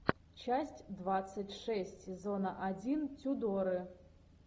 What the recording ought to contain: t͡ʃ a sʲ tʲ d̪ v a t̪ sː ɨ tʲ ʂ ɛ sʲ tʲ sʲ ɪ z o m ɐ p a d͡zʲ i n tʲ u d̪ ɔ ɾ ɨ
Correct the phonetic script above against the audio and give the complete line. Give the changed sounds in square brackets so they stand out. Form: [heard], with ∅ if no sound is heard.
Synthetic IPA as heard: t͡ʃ a sʲ tʲ d̪ v a t̪ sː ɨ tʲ ʂ ɛ sʲ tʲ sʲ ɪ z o [n] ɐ [ʔ] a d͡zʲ i n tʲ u d̪ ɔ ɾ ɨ